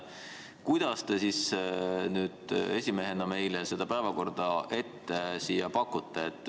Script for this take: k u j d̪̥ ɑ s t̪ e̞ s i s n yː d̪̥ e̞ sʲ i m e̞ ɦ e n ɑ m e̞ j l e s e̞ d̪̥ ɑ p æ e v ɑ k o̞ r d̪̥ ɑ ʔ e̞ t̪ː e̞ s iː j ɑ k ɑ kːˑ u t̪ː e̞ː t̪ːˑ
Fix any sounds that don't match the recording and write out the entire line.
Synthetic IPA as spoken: k u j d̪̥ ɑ s t̪ e̞ s i s n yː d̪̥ e̞ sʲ i m e̞ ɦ e n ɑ m e̞ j l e s e̞ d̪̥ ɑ p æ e v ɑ k o̞ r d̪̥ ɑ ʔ e̞ t̪ː e̞ s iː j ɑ p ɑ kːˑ u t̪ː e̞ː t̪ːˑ